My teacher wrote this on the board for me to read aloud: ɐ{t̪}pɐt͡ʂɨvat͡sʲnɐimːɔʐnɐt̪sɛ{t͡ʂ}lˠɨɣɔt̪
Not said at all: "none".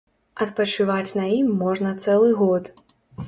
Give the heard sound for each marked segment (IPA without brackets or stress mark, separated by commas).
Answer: t̪, none